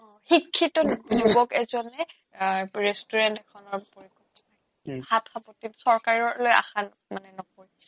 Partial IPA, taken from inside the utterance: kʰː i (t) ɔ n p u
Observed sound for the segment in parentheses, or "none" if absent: t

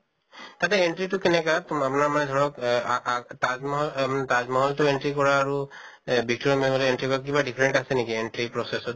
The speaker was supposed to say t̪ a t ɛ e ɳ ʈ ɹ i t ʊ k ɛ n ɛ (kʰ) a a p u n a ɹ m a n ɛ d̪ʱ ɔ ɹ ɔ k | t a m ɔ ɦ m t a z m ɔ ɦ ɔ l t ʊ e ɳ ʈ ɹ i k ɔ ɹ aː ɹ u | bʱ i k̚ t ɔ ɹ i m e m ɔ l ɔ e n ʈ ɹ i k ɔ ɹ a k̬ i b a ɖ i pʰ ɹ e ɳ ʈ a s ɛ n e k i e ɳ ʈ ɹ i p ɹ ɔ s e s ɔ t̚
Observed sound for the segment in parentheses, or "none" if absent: k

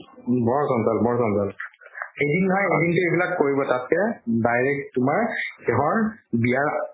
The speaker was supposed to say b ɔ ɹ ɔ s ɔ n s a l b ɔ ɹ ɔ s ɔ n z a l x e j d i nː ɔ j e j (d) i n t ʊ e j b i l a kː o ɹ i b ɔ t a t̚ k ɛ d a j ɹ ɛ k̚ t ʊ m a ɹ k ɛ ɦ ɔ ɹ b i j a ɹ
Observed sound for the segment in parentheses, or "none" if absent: d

